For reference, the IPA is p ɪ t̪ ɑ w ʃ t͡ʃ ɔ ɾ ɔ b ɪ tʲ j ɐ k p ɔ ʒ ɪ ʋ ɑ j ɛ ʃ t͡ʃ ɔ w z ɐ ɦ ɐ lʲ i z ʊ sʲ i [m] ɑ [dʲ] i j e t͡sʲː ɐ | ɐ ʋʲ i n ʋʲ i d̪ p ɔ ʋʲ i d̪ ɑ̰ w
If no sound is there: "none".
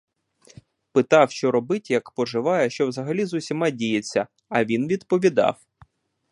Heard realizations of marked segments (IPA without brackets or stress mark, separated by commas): m, dʲ